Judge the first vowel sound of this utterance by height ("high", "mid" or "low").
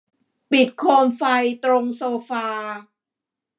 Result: high